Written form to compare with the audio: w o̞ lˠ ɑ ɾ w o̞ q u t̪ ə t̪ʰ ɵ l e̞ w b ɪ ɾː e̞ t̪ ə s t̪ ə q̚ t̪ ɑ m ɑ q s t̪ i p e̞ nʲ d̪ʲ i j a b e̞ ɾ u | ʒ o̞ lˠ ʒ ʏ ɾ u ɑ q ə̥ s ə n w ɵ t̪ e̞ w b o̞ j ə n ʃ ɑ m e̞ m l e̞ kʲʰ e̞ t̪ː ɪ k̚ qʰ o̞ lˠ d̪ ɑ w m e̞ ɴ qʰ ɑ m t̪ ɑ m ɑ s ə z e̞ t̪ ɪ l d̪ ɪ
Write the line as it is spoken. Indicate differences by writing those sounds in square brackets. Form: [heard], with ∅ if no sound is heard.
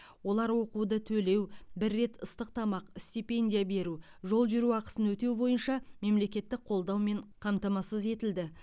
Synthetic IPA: w o̞ lˠ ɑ ɾ w o̞ q u [d̪] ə t̪ʰ ɵ l e̞ w b ɪ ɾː e̞ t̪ ə s t̪ ə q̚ t̪ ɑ m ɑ q s t̪ i p e̞ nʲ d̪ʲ i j a b e̞ ɾ u | ʒ o̞ lˠ ʒ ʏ ɾ u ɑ q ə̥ s ə n w ɵ t̪ e̞ w b o̞ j ə n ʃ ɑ m e̞ m l e̞ [kʲ] e̞ t̪ː ɪ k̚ qʰ o̞ lˠ d̪ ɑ w m e̞ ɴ qʰ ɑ m t̪ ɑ m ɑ s ə z e̞ t̪ ɪ l d̪ ɪ